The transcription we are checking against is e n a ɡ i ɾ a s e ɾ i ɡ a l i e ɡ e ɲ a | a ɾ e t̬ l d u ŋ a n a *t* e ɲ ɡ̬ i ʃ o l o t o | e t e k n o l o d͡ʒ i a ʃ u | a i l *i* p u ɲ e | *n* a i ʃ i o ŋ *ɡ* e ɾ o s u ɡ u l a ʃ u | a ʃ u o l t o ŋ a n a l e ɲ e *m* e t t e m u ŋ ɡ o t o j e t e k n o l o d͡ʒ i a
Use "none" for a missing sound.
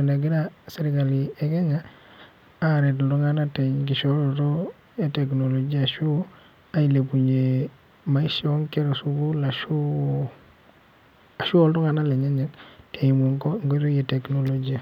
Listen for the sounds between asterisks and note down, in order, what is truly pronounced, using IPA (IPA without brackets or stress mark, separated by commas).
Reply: t, e, m, k, ɲ